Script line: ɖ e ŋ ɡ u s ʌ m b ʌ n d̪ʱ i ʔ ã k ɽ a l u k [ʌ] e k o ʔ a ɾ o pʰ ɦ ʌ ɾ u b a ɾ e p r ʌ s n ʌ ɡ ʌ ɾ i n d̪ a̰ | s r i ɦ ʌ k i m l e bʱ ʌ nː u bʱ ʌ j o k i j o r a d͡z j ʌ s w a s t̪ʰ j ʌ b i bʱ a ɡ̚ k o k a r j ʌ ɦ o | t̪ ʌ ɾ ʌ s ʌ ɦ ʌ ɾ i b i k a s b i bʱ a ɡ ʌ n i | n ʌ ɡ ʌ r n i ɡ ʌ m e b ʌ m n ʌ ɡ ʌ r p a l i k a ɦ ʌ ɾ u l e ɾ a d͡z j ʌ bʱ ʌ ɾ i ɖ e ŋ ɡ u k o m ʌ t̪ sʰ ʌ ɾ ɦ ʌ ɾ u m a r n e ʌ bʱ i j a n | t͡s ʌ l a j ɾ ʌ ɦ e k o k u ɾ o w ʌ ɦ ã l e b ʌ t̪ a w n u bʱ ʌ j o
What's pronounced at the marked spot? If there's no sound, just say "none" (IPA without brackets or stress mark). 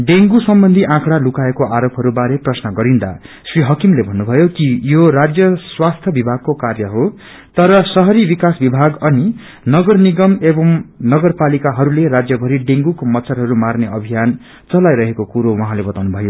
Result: a